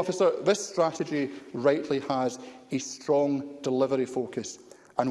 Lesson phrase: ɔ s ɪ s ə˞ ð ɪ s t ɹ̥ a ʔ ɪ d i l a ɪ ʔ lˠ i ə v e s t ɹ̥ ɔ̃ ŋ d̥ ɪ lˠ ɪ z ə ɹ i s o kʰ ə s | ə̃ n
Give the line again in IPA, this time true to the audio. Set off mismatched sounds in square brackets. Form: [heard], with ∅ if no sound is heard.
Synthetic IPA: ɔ [f] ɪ s ə˞ ð ɪ s t ɹ̥ a ʔ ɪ [d͡ʒ] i [ɹ] a ɪ ʔ lˠ i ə [z] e s t ɹ̥ ɔ̃ ŋ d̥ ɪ lˠ ɪ [v] ə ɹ i [f] o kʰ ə s | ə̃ n